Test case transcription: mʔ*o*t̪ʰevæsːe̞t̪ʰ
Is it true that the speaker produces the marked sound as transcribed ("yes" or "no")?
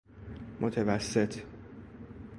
yes